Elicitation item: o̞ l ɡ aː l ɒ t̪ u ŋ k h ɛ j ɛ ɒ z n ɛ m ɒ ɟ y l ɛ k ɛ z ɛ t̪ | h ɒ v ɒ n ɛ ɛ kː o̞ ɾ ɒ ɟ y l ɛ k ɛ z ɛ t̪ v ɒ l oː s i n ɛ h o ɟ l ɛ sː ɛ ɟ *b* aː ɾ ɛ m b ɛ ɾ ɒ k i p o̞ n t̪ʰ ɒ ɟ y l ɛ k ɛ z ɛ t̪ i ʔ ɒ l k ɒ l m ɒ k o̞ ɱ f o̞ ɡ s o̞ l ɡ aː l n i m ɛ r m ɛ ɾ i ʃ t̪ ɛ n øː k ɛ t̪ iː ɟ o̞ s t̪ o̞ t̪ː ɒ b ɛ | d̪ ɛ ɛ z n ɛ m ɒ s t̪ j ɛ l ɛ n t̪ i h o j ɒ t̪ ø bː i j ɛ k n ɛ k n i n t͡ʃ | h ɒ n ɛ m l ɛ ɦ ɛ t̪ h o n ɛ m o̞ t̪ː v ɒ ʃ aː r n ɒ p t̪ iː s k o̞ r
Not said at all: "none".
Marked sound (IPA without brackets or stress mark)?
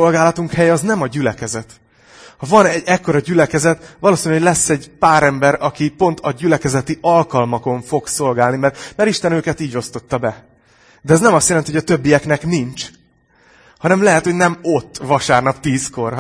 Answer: p